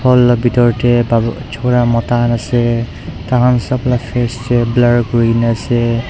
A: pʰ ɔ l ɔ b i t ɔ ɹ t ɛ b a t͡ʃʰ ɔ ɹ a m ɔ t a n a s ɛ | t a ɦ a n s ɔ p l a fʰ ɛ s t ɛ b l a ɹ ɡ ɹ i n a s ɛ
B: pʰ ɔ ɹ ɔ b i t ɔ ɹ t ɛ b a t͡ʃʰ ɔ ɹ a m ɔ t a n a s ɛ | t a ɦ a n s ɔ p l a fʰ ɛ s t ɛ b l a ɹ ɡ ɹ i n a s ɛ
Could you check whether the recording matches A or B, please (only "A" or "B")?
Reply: A